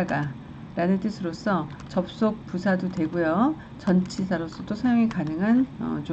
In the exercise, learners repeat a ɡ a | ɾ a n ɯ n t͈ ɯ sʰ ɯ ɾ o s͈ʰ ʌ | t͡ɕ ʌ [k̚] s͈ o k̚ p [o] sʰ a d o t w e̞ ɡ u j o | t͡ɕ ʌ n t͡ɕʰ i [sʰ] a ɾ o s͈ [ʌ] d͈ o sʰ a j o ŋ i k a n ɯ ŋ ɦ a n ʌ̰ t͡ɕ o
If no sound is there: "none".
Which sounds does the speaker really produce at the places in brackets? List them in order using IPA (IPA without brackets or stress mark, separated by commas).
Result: p̚, u, sʰ, ʌ